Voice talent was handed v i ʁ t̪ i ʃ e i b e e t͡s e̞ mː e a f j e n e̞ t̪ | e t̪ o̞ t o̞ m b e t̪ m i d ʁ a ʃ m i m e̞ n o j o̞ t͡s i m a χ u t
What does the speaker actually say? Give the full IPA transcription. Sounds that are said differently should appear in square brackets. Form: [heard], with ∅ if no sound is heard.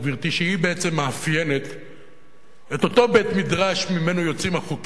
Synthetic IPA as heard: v i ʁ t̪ i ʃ e i b e e t͡s e̞ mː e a f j e n e̞ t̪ | e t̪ o̞ t o̞ [∅] b e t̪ m i d ʁ a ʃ m i m e̞ n o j o̞ t͡s i m a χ u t